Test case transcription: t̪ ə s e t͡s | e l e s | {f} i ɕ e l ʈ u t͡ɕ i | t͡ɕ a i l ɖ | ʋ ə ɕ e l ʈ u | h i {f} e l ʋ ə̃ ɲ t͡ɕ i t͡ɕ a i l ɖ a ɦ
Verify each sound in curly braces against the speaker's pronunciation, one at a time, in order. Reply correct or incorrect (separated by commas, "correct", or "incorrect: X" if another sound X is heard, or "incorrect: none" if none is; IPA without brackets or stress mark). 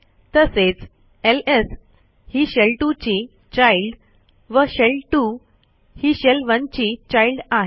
incorrect: h, incorrect: ɕ